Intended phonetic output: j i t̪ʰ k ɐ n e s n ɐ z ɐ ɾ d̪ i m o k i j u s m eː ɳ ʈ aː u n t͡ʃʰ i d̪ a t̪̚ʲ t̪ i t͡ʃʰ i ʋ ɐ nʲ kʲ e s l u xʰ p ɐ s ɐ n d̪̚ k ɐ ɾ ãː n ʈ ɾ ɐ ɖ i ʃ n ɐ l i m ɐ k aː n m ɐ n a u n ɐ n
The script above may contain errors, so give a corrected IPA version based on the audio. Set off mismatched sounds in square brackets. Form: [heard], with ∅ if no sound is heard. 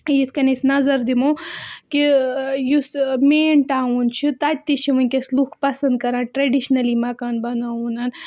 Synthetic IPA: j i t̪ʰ k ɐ n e s n ɐ z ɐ ɾ d̪ i m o k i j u s m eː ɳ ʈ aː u n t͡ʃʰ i [t̪] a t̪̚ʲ t̪ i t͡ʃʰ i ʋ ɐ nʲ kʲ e s l u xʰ p ɐ s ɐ n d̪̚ k ɐ ɾ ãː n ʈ ɾ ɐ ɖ i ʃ n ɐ l i m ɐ k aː n [b] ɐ n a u n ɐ n